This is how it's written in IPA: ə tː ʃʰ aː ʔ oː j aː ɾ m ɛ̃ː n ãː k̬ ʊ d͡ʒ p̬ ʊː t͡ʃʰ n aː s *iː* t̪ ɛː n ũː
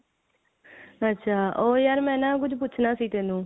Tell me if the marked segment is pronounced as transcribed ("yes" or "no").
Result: yes